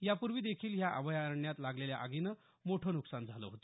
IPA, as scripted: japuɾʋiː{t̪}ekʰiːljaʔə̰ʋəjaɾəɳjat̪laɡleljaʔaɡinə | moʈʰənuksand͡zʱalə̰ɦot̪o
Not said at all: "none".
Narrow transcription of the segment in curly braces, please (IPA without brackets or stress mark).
d̪